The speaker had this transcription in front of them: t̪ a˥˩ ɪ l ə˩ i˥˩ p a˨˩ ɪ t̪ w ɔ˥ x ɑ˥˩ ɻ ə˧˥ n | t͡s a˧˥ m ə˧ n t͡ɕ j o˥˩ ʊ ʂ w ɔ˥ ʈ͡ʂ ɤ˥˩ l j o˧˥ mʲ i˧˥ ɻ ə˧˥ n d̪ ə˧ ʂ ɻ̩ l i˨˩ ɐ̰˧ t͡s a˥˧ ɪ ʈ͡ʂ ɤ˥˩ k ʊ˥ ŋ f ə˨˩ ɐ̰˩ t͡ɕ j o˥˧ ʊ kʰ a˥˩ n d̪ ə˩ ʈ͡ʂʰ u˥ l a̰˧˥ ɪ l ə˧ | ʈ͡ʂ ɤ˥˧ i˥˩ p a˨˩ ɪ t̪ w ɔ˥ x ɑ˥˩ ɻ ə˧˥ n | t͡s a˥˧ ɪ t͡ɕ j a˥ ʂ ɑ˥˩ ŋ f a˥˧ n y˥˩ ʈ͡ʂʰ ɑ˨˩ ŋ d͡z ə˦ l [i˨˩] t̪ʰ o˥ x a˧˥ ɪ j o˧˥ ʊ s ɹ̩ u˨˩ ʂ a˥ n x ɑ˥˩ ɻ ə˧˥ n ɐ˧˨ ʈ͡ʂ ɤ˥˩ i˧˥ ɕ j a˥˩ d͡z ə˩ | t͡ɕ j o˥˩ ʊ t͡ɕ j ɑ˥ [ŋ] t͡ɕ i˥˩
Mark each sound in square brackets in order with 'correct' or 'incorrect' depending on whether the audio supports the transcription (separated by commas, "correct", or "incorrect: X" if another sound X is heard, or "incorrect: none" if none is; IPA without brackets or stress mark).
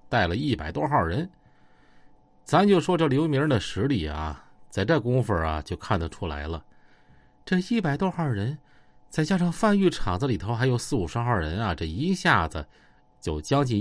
correct, correct